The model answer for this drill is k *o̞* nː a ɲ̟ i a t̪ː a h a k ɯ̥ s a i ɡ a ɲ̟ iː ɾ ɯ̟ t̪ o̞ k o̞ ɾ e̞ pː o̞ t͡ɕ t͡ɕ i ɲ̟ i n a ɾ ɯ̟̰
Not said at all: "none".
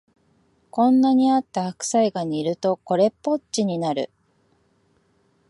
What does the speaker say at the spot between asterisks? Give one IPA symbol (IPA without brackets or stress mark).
õ̞